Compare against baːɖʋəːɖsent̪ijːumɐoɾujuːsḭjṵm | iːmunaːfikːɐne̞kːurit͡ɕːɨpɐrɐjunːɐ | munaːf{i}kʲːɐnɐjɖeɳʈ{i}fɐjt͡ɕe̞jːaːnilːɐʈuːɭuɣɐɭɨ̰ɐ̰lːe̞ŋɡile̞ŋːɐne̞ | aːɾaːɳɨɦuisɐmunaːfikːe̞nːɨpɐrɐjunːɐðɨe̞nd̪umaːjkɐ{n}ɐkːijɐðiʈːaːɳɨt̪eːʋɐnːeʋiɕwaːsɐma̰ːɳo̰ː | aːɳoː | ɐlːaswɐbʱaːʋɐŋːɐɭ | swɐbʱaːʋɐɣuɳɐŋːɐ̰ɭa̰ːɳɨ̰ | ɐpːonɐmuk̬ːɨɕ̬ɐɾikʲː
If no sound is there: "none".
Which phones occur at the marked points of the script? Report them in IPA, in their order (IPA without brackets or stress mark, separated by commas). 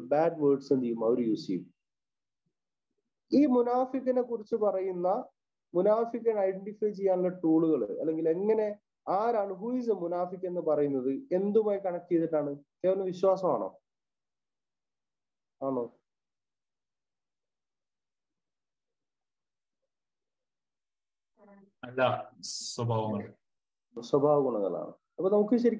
i, i, ɳ